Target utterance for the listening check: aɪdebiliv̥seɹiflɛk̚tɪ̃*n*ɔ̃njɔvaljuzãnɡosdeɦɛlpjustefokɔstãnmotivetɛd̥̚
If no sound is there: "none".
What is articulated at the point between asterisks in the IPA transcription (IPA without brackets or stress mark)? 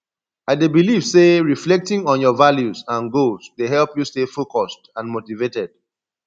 ŋ